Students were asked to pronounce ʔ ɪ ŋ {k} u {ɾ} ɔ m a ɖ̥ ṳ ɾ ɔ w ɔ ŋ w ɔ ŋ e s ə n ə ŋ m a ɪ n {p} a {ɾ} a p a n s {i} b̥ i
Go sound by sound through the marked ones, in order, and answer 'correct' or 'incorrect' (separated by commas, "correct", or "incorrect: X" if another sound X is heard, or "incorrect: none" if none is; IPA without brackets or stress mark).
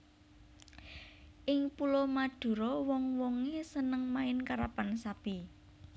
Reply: incorrect: p, incorrect: l, incorrect: k, correct, incorrect: a